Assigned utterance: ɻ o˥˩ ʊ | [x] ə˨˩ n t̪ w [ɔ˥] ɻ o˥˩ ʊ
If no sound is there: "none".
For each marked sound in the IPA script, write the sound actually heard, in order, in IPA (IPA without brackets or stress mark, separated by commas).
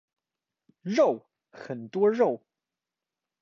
x, ɔ˥